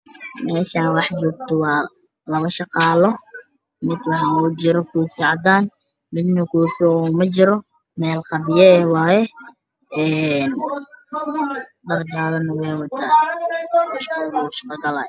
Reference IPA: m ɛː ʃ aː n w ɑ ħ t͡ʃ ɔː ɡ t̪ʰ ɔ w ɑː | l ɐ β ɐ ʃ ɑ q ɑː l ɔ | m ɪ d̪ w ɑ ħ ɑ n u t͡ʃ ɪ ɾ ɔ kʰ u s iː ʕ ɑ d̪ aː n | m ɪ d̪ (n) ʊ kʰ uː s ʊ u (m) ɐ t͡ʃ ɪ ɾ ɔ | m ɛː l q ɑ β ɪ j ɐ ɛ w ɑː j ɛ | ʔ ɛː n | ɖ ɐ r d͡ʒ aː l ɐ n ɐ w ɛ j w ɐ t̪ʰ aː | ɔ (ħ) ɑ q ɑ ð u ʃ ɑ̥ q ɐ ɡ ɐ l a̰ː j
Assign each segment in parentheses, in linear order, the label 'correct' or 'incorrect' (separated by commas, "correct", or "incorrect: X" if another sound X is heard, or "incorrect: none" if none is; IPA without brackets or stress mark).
correct, correct, incorrect: ʃ